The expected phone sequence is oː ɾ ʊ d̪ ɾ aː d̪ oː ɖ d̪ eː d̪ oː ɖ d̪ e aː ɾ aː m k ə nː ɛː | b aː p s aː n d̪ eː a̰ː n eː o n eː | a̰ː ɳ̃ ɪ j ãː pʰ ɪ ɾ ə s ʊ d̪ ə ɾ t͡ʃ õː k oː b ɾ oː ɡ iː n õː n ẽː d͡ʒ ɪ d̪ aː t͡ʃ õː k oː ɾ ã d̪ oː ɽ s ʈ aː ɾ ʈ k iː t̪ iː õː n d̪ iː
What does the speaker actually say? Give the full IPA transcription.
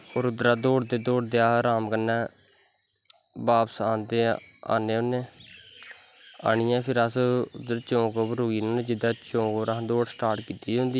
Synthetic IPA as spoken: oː ɾ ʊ d̪ ɾ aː d̪ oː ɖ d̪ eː d̪ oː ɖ d̪ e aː ɾ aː m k ə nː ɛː | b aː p s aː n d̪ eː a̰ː n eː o n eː | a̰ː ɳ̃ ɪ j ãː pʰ ɪ ɾ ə s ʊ d̪ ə ɾ t͡ʃ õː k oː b ɾ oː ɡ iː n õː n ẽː d͡ʒ ɪ d̪ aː t͡ʃ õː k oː ɾ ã d̪ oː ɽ s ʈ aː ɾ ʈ k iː t̪ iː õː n d̪ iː